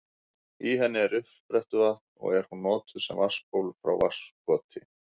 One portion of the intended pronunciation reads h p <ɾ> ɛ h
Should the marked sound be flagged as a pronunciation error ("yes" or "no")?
no